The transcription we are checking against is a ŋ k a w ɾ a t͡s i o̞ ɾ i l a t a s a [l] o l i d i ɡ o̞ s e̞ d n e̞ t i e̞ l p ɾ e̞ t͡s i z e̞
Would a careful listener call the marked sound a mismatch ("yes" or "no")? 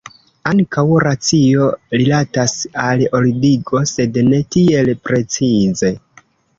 no